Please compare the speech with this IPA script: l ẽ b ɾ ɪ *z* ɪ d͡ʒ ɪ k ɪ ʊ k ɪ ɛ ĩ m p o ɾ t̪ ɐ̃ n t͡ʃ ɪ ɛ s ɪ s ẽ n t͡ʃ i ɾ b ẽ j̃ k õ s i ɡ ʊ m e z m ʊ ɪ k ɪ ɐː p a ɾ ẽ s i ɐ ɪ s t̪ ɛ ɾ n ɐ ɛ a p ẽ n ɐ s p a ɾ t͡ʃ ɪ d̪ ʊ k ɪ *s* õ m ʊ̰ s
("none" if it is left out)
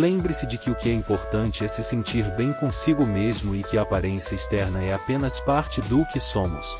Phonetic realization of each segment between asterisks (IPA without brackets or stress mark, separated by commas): s, s